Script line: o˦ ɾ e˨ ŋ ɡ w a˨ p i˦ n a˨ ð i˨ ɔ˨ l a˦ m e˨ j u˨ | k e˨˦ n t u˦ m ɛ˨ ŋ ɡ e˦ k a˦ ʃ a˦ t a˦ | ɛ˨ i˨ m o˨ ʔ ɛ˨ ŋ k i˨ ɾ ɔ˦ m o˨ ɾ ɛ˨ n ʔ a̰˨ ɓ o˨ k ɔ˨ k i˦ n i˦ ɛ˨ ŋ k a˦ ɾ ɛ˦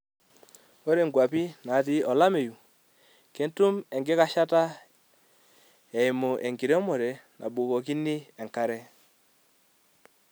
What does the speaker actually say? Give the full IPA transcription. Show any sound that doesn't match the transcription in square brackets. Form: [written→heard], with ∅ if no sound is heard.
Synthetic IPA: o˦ ɾ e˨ ŋ ɡ w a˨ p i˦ n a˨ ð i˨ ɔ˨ l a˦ m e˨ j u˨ | k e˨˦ n t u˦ m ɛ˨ ŋ ɡ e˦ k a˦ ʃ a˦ t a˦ | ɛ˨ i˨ m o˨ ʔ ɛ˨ ŋ [k→ɡ] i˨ ɾ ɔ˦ m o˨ ɾ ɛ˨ n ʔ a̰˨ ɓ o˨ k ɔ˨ k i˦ n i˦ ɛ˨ ŋ k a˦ ɾ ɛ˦